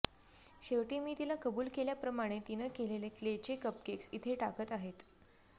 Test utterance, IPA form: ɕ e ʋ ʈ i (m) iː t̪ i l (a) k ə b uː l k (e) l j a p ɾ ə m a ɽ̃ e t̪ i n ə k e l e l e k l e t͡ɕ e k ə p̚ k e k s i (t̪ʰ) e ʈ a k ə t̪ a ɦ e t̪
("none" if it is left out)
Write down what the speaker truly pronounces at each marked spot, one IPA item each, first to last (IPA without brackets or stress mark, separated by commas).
m, a, e, t̪ʰ